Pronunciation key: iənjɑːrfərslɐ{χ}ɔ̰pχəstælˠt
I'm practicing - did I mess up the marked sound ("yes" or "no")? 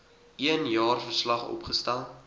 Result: no